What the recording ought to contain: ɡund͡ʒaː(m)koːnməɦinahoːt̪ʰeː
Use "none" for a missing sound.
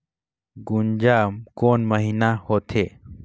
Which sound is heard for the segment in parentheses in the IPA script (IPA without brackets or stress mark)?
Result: m